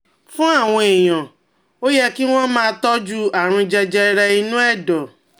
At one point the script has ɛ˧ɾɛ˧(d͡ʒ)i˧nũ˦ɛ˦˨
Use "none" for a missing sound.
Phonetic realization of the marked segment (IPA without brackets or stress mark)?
none